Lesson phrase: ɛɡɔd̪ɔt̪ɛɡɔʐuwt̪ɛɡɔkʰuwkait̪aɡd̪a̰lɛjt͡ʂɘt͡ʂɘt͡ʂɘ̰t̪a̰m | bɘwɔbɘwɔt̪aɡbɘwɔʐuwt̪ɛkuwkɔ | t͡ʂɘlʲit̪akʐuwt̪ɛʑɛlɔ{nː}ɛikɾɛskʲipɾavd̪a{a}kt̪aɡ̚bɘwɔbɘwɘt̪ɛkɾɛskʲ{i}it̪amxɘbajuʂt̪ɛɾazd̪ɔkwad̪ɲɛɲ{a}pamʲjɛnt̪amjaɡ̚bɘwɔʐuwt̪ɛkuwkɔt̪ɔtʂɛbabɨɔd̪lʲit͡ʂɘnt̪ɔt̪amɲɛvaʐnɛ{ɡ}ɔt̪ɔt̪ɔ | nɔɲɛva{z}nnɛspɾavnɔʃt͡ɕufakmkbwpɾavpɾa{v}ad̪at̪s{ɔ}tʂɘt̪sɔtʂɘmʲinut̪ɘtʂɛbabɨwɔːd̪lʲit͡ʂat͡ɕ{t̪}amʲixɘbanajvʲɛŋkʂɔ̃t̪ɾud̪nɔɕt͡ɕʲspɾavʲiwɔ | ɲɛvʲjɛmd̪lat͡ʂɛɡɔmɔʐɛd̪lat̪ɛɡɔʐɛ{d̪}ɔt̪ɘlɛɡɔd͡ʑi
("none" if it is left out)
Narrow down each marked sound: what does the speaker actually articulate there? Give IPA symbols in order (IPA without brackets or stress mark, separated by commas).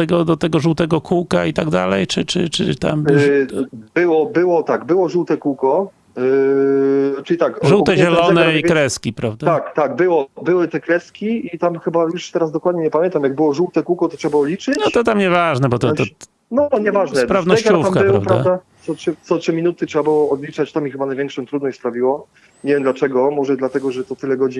n, a, i, ɛ, b, ʐ, v, ɔ, t̪, t̪